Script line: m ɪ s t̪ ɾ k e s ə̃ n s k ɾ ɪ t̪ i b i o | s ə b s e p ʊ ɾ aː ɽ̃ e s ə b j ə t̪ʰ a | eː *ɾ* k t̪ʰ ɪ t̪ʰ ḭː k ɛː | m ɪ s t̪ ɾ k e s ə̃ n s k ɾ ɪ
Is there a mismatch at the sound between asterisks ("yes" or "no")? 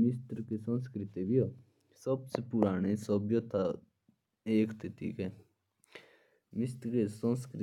yes